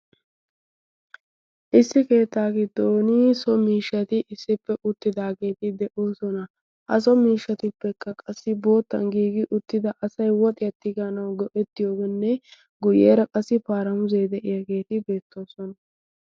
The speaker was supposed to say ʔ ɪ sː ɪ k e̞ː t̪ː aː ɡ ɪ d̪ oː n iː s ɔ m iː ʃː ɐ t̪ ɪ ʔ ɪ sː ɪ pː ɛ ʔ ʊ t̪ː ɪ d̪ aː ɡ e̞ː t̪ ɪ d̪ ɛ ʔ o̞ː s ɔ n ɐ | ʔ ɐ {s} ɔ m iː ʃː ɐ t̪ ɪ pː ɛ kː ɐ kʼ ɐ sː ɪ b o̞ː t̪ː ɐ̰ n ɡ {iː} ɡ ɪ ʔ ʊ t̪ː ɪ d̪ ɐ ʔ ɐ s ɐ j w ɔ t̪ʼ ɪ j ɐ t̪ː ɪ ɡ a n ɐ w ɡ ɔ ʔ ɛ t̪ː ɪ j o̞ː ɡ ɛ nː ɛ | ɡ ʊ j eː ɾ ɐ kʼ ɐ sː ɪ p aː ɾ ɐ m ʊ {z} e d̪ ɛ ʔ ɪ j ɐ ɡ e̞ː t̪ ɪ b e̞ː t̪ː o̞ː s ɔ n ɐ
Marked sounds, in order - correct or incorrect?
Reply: correct, correct, correct

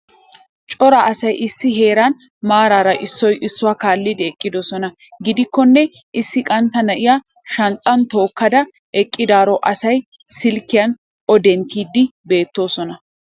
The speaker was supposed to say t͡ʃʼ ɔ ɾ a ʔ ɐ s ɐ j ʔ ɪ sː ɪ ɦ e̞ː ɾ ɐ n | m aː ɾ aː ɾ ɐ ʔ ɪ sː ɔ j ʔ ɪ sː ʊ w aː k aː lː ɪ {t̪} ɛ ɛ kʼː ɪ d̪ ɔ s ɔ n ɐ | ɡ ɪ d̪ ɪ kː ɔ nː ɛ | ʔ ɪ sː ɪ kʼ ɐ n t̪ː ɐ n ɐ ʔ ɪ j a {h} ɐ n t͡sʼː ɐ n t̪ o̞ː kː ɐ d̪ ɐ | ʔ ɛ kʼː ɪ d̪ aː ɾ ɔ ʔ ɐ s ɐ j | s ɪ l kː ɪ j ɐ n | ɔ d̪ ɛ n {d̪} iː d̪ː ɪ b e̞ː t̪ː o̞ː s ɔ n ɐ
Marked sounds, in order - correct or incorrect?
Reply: incorrect: d̪, incorrect: ʃ, incorrect: t̪

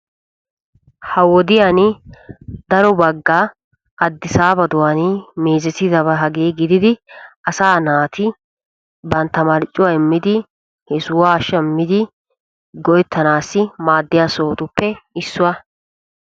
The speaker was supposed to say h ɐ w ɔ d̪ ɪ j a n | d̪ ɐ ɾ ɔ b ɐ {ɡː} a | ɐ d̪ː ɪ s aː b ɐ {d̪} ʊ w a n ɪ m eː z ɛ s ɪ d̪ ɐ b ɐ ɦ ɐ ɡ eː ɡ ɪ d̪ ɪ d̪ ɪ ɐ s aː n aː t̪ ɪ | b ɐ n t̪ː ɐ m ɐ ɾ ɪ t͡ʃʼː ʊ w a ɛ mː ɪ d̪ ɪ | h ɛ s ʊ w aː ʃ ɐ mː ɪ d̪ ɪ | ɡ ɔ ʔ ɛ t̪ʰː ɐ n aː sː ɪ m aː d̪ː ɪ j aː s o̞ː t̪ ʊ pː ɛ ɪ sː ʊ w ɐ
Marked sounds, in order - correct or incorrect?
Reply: correct, correct

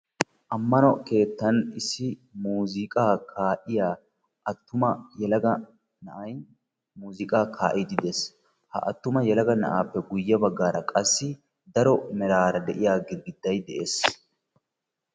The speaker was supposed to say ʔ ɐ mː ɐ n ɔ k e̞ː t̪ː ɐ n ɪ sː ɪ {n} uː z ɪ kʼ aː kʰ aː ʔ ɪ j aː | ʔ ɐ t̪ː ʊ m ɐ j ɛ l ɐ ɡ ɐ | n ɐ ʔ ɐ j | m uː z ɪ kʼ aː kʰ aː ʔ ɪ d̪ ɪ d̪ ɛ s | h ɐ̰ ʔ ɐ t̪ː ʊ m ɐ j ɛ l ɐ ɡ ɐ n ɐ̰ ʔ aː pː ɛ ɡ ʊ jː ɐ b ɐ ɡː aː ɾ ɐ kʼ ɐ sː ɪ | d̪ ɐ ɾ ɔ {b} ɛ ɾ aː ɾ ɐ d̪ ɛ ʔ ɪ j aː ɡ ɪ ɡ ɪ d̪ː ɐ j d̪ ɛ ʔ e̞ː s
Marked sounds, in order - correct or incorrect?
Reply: incorrect: m, incorrect: m

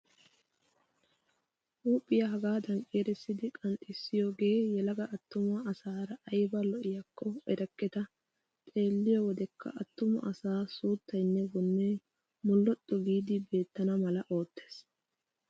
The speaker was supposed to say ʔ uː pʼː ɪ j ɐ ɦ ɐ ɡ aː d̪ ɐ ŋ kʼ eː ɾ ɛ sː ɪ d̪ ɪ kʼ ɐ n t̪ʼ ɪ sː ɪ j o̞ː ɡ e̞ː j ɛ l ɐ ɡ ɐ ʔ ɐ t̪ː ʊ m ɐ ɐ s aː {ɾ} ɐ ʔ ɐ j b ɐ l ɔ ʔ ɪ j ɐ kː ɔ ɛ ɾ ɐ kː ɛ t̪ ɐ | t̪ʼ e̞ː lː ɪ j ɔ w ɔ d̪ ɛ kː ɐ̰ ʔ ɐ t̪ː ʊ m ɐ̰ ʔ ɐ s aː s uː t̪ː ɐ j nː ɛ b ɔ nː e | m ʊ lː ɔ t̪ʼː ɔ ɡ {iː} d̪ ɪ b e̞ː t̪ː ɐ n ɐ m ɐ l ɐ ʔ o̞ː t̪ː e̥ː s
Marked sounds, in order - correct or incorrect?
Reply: correct, correct

